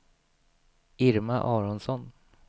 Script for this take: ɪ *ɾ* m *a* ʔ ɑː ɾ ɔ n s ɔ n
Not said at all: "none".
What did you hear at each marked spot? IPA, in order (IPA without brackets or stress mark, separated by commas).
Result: ɾ, a